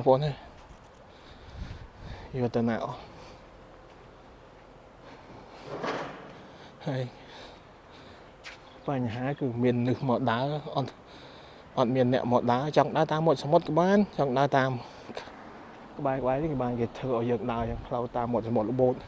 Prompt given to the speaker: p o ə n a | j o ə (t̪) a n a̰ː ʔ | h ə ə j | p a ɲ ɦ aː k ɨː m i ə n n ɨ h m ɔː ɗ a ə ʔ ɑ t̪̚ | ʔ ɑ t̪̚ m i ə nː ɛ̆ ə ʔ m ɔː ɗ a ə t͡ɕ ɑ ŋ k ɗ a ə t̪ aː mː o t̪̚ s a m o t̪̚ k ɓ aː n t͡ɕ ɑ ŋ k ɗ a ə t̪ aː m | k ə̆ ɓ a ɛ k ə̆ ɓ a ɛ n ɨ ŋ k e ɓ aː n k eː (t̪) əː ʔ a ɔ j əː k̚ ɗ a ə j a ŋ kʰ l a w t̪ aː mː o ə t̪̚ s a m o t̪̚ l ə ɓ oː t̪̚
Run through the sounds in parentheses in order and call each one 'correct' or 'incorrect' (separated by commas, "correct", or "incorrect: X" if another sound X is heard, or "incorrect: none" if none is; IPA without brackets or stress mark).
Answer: correct, incorrect: t̪ʰ